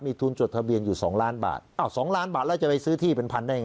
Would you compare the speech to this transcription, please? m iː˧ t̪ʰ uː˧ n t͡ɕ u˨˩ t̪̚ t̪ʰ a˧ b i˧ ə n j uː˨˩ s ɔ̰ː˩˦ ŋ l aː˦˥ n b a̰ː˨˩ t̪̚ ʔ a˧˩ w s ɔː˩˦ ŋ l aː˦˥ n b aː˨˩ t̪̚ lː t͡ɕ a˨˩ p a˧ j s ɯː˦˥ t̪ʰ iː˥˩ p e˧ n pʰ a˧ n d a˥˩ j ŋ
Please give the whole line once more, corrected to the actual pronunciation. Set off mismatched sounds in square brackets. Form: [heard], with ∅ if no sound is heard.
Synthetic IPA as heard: m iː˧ t̪ʰ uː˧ n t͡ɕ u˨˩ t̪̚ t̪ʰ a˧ b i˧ ə n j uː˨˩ s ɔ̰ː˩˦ ŋ l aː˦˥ n b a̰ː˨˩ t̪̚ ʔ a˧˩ w s ɔː˩˦ ŋ l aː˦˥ n b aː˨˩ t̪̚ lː t͡ɕ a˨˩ p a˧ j s ɯː˦˥ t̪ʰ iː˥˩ p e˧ n pʰ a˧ n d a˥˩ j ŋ